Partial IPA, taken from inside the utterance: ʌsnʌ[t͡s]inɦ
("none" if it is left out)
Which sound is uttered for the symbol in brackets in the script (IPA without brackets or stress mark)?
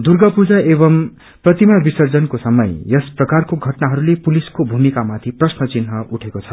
t͡s